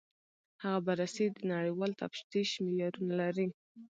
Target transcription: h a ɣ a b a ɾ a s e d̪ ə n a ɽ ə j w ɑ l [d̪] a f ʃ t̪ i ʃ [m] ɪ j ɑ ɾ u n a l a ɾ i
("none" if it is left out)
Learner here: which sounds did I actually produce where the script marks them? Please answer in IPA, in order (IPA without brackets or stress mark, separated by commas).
t̪, m